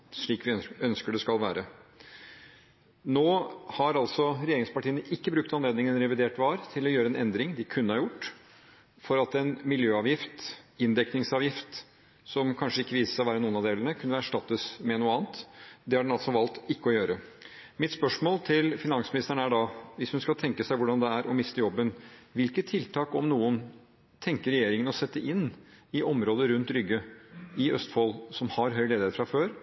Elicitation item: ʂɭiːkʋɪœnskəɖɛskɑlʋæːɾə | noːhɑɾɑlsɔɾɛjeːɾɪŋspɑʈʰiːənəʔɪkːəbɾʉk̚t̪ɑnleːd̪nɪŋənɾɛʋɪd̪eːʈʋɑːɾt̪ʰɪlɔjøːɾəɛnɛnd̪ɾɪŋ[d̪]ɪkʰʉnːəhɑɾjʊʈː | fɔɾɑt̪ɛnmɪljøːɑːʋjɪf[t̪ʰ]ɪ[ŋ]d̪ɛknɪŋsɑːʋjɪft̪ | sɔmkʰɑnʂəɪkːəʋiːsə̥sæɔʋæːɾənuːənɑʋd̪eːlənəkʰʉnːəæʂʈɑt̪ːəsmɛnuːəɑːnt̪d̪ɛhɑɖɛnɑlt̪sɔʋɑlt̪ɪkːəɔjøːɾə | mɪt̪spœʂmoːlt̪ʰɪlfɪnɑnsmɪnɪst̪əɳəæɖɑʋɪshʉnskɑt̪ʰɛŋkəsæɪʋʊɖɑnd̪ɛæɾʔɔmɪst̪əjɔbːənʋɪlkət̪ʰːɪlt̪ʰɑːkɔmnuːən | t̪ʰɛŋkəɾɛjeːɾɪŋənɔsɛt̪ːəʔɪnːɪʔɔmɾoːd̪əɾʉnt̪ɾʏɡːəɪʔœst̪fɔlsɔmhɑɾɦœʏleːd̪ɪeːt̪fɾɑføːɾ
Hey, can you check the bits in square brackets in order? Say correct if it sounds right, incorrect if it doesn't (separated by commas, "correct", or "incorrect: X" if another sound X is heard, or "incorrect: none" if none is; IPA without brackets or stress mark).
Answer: correct, incorrect: t̪, incorrect: n